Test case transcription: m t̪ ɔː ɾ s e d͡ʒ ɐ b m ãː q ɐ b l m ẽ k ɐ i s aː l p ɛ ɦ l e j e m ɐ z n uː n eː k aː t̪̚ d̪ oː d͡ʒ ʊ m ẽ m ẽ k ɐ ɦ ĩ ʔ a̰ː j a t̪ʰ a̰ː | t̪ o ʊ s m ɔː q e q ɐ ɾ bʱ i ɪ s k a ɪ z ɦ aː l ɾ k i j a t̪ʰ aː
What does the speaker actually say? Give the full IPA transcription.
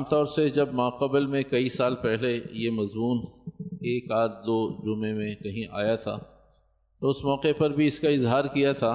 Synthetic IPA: m t̪ ɔː ɾ s e d͡ʒ ɐ b m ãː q ɐ b l m ẽ k ɐ i s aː l p ɛ ɦ l e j e m ɐ z m uː n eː k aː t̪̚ d̪ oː d͡ʒ ʊ m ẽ m ẽ k ɐ ɦ ĩ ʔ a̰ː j a t̪ʰ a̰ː | t̪ o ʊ s m ɔː q e p ɐ ɾ bʱ i ɪ s k a ɪ z ɦ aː ɾ k i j a t̪ʰ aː